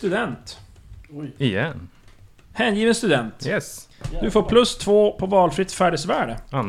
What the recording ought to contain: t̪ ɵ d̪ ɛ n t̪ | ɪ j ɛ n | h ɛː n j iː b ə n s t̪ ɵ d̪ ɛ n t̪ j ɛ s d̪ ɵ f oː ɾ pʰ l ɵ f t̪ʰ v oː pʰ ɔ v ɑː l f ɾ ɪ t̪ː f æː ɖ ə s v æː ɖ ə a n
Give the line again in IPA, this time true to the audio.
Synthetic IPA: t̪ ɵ d̪ ɛ n t̪ | ɪ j ɛ n | h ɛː n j iː v ə n s t̪ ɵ d̪ ɛ n t̪ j ɛ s d̪ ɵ f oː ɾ pʰ l ɵ s t̪ʰ v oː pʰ ɔ v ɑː l f ɾ ɪ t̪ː f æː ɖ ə s v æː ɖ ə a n